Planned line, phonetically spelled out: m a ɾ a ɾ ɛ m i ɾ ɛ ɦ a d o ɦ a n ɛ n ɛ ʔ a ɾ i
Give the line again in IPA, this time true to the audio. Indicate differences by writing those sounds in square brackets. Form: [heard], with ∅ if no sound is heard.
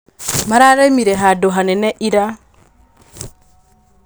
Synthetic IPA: m a ɾ a ɾ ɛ m i ɾ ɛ ɦ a d o ɦ a n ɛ n ɛ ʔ [i] ɾ [a]